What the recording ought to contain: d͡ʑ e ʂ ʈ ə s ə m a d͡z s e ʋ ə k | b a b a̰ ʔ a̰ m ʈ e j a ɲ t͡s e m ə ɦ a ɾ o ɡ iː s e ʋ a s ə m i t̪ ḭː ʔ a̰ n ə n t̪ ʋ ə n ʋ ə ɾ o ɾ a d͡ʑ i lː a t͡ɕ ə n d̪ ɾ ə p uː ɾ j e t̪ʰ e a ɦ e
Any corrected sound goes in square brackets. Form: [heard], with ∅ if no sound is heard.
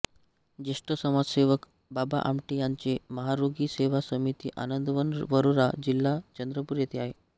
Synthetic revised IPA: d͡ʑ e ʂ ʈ ə s ə m a d͡z s e ʋ ə k | b a b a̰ ʔ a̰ m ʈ [i] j a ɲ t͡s e m ə ɦ a ɾ o ɡ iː s e ʋ a s ə m i t̪ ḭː ʔ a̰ n ə n [d̪] ʋ ə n ʋ ə ɾ o ɾ a d͡ʑ i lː a t͡ɕ ə n d̪ ɾ ə p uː ɾ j e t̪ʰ e a ɦ e